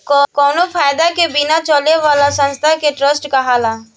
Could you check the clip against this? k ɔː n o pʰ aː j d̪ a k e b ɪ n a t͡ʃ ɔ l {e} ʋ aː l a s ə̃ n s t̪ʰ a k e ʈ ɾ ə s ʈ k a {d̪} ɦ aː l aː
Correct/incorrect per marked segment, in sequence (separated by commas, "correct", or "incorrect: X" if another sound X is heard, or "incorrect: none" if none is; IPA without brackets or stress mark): correct, incorrect: none